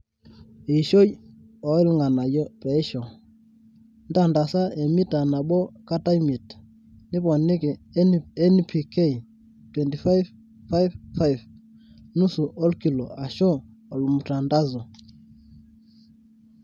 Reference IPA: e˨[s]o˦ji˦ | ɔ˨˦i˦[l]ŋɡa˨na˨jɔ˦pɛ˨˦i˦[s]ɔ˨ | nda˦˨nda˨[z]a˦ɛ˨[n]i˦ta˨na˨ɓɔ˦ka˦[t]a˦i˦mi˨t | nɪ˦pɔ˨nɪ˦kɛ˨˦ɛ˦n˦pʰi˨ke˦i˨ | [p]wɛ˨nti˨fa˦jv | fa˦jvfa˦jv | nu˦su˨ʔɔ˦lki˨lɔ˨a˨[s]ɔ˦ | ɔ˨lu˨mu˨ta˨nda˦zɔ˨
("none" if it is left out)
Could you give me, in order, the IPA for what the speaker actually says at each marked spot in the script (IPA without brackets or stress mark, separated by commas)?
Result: ʃ, l, ʃ, s, m, t, t, ʃ